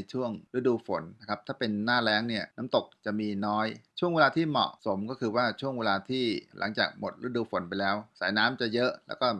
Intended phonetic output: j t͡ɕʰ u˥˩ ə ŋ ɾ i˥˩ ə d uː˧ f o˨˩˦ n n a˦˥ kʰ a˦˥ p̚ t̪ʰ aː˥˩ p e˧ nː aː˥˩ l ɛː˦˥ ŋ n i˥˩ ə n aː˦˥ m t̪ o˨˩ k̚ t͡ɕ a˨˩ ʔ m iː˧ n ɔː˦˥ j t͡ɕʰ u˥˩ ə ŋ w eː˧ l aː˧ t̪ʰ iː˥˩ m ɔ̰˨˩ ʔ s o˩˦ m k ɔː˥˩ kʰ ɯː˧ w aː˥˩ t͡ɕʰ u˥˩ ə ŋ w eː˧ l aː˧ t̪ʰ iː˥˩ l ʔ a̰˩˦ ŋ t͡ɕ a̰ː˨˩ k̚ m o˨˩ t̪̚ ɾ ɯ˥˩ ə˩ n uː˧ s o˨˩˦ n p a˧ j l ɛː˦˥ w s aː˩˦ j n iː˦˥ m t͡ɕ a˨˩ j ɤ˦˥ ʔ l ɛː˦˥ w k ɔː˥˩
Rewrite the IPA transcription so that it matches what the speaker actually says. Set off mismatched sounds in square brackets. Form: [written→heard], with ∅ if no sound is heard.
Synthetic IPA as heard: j t͡ɕʰ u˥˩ ə ŋ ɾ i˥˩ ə d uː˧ f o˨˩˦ n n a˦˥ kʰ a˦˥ p̚ t̪ʰ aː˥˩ p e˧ nː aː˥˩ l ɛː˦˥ ŋ n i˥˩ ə n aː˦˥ m t̪ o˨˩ k̚ t͡ɕ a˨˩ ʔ m iː˧ n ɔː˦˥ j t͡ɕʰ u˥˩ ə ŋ w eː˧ l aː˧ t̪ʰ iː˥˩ m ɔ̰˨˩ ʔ s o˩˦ m k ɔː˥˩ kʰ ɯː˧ w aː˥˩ t͡ɕʰ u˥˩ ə ŋ w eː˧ l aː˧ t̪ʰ iː˥˩ l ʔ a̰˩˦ ŋ t͡ɕ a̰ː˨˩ k̚ m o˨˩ t̪̚ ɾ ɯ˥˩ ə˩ [n→d] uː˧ [s→f] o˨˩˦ n p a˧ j l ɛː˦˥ w s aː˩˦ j n [iː˦˥→aː˦˥] m t͡ɕ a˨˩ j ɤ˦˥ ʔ l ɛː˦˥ w k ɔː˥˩